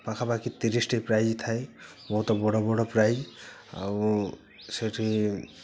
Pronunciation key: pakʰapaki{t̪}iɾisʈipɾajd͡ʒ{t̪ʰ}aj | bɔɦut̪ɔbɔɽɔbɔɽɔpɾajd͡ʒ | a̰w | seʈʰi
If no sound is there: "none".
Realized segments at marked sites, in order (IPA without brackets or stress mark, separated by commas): t̪, t̪ʰ